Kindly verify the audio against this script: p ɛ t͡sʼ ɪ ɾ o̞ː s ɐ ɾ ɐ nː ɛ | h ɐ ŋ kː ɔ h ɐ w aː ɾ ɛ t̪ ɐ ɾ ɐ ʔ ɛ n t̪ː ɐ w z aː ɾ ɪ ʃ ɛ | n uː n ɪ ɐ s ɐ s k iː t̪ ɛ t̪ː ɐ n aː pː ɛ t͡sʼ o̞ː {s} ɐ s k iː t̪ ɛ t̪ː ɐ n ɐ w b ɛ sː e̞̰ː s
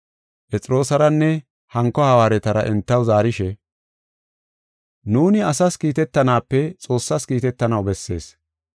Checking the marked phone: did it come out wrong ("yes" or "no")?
yes